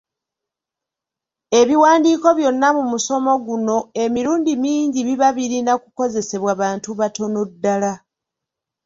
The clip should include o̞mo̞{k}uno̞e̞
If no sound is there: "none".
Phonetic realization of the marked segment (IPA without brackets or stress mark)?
ɡ